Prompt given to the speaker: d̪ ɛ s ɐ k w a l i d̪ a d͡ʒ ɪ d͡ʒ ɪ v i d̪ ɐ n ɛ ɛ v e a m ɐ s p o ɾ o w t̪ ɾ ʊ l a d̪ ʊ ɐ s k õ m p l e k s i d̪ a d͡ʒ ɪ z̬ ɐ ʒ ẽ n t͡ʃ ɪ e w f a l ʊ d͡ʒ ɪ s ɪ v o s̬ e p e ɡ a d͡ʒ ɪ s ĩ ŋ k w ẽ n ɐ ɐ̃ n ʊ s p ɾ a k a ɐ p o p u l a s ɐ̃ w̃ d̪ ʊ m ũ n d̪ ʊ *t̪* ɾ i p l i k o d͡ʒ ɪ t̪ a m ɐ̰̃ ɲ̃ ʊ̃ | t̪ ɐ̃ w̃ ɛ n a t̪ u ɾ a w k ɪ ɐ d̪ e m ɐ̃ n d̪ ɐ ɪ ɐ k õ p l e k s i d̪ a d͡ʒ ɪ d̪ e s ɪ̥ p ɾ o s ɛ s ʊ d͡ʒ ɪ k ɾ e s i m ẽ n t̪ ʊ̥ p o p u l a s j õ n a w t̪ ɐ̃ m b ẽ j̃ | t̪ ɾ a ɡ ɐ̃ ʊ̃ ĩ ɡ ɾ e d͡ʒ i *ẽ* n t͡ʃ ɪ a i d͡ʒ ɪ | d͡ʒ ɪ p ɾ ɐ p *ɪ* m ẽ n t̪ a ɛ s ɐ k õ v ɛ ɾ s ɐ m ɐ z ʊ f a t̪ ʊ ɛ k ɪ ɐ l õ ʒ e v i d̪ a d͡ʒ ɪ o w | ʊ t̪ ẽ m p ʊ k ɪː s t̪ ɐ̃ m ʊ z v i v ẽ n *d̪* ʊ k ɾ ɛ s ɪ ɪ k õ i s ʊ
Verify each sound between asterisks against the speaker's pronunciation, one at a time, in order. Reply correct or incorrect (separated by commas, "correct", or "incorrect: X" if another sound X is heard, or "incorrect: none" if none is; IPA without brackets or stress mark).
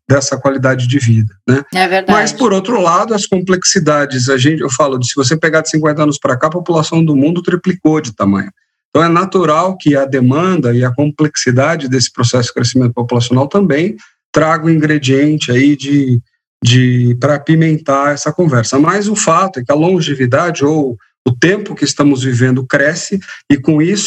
correct, correct, incorrect: i, correct